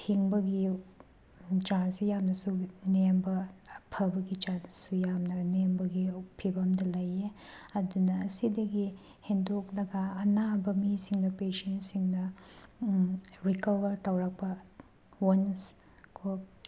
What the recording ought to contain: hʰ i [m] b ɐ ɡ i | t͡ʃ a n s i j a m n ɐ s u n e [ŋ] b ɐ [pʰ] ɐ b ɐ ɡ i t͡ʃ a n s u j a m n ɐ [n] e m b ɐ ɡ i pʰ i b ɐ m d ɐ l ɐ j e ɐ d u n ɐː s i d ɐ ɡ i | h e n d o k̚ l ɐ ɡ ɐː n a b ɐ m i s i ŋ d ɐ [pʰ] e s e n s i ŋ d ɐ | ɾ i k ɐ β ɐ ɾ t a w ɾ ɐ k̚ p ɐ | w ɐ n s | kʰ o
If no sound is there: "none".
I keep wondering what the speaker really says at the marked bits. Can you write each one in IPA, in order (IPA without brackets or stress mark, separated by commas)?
ŋ, m, pʰ, n, p